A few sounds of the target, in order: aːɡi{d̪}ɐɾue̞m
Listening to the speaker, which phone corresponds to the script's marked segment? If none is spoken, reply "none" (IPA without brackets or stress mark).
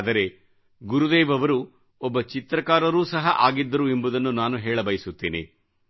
d̪ː